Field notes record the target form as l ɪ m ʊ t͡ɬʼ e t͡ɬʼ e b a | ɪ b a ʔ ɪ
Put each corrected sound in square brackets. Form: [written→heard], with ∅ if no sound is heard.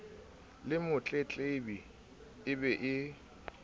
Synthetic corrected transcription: l ɪ m ʊ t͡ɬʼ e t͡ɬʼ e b [a→i] | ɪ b [a→ɛ] ʔ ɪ

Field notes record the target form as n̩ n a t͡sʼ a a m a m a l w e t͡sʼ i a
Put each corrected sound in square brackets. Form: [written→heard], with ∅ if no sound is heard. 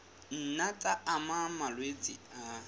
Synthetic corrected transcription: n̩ n a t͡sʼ a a m a m a l w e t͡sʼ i a

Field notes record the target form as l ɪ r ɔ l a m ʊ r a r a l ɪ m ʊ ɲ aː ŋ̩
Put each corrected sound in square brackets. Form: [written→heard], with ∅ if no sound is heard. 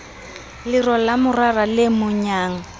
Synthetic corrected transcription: l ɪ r ɔ l a m ʊ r a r a l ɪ m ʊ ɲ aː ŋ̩

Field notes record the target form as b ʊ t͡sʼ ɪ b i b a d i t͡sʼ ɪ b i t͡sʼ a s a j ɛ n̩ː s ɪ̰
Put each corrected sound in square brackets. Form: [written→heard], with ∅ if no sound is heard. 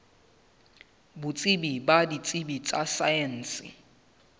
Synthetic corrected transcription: b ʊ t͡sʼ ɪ b i b a d i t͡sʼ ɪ b i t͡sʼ a s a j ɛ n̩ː s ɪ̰

